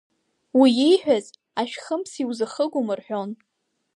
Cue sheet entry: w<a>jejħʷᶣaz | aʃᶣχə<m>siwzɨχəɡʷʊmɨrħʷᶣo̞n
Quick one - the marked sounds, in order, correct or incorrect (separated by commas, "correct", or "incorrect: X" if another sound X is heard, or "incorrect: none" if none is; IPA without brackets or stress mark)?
incorrect: i, correct